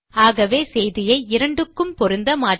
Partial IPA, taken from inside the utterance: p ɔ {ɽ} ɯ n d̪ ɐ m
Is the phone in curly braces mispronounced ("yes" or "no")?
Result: yes